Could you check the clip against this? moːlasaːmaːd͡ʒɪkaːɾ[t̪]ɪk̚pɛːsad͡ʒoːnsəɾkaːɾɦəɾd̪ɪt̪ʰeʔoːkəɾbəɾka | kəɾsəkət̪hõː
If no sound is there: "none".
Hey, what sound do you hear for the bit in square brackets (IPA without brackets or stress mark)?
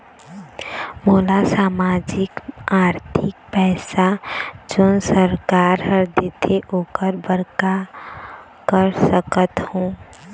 t̪ʰ